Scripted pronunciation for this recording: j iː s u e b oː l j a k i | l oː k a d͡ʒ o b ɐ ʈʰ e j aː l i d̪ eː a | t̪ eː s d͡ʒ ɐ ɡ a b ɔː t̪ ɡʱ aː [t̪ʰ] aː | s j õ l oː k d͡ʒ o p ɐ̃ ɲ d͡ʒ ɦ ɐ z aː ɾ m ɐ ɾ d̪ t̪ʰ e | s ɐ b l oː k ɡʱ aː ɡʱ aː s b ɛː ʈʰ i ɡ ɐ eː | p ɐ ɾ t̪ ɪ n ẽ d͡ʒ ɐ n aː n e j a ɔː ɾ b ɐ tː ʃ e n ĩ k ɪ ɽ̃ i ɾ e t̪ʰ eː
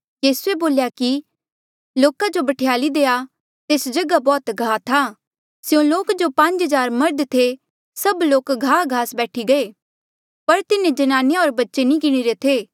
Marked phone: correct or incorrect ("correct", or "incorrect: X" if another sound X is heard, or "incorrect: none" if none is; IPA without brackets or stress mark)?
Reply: correct